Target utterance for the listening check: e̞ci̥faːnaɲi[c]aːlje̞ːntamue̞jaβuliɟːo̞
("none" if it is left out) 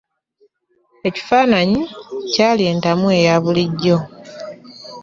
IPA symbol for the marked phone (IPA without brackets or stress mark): c